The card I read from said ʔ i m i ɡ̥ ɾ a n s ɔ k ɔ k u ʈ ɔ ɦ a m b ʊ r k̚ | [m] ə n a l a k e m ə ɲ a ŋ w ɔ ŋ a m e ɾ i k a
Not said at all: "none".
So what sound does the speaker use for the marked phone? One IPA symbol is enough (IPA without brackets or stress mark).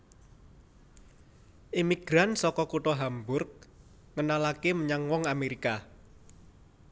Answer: ŋ